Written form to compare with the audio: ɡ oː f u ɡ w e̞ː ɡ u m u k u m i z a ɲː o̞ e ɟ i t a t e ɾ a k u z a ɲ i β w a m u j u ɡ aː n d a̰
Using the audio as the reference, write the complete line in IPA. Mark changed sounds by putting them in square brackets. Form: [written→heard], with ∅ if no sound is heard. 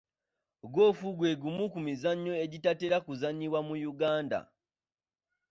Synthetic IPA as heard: ɡ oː f u ɡ w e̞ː ɡ u m u k u m i z a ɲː o̞ e ɟ i t a t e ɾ a k u z a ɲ i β w a m u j u ɡ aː n d a̰